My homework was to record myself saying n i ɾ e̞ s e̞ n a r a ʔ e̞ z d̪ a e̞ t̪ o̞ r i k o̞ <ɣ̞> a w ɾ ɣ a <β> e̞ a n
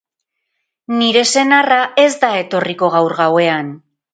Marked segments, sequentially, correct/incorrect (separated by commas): correct, incorrect